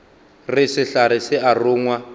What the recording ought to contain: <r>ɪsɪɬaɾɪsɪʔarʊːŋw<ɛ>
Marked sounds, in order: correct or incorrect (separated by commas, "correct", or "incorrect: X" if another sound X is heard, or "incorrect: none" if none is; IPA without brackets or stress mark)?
correct, incorrect: a